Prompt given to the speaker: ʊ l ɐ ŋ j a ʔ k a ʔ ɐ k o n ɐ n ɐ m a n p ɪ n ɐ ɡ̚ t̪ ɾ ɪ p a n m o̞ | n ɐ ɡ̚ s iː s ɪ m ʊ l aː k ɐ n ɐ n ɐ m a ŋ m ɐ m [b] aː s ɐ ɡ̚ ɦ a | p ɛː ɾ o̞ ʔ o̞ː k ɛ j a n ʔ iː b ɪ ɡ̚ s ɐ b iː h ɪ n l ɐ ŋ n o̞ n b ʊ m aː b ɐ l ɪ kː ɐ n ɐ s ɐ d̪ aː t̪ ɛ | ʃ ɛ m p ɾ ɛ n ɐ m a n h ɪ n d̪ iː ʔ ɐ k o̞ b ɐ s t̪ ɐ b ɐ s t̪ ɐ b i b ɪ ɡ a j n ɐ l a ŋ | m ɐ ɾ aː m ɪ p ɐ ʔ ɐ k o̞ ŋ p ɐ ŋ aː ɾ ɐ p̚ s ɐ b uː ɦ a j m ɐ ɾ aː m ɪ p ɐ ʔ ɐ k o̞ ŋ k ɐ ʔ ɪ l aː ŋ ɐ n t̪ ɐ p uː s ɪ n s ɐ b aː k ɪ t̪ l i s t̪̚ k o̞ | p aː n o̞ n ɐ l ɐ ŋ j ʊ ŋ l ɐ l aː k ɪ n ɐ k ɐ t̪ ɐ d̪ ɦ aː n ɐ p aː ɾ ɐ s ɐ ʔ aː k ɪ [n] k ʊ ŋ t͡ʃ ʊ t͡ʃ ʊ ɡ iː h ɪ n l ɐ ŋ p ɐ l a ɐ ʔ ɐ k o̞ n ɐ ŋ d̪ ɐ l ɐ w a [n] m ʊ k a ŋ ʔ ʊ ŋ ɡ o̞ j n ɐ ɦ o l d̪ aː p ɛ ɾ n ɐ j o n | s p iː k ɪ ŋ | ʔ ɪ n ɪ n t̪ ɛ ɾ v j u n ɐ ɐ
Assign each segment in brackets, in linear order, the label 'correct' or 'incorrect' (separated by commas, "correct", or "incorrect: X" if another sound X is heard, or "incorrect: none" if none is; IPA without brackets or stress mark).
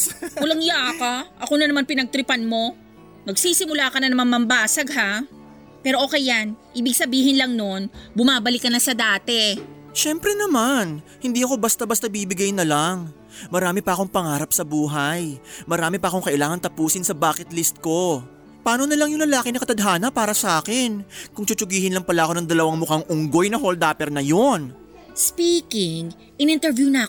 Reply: correct, correct, incorrect: ŋ